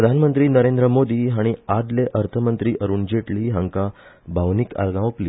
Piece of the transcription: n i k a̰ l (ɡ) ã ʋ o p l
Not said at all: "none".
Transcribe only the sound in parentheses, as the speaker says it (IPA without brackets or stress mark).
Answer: ɡ